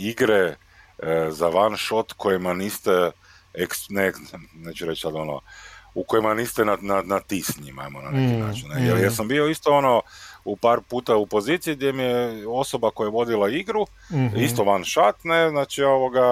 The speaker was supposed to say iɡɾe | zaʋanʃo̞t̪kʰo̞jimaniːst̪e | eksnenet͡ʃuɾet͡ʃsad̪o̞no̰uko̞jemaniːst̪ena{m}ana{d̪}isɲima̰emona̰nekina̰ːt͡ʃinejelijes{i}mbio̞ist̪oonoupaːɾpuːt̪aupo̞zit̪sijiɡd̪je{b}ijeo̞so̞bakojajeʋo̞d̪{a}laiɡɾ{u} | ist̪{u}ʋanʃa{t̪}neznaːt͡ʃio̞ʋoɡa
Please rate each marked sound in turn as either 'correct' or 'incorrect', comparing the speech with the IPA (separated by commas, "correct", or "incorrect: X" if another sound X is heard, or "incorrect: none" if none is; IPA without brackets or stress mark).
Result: incorrect: n, incorrect: t̪, incorrect: a, incorrect: m, incorrect: i, correct, incorrect: o, correct